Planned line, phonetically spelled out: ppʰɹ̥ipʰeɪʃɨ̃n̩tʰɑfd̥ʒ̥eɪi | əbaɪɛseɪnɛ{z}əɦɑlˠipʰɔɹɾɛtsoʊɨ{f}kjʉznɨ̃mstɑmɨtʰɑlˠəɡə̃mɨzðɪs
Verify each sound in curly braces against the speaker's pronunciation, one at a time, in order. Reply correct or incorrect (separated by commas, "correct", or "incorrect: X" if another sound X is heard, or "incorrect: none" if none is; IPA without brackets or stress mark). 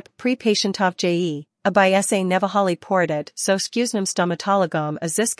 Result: incorrect: v, incorrect: s